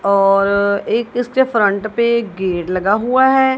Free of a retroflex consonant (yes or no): no